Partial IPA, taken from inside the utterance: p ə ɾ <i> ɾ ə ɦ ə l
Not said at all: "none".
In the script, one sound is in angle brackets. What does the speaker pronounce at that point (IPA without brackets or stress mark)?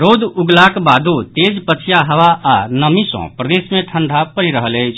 i